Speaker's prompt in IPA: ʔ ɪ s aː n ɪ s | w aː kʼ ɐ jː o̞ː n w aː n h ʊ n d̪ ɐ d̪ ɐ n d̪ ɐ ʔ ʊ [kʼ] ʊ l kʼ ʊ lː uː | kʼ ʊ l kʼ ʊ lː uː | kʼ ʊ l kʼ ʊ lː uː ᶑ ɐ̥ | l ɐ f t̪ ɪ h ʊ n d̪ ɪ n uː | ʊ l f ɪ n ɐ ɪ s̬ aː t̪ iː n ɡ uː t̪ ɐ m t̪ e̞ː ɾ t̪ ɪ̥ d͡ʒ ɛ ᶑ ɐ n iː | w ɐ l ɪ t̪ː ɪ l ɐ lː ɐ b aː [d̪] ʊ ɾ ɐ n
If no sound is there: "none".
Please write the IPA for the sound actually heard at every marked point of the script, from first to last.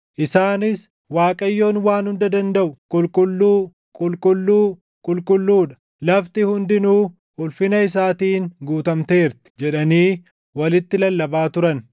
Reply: kʼ, t̪

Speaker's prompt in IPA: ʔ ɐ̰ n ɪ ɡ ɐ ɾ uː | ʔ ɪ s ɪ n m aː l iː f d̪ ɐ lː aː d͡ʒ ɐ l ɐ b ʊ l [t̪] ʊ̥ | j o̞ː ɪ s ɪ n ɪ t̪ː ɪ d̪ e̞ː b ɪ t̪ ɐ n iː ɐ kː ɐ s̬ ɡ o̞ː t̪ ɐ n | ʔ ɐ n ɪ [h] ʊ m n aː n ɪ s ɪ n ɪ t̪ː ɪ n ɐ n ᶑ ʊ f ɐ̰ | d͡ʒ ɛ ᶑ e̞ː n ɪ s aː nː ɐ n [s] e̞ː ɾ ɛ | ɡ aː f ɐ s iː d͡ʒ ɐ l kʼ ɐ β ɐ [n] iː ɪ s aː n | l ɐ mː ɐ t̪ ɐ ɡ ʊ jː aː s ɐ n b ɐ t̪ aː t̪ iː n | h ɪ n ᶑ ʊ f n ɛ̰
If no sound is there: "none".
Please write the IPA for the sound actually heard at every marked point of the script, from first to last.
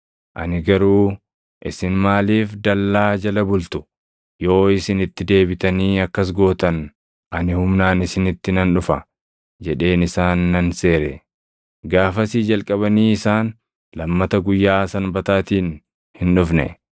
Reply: t̪, h, s, n

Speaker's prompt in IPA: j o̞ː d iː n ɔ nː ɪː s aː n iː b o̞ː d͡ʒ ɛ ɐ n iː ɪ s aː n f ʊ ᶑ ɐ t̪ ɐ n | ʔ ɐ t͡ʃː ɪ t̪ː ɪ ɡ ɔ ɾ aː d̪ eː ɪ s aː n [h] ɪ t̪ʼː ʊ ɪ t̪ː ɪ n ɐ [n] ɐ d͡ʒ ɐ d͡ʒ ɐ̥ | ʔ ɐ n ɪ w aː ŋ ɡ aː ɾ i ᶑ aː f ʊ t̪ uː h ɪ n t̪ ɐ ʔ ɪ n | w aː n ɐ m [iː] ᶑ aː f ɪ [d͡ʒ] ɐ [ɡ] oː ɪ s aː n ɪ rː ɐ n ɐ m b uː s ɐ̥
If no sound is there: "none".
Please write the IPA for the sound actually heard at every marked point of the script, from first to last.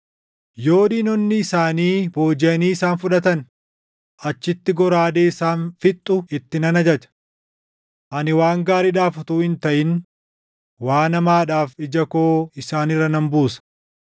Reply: f, n, aː, d͡ʒ, k

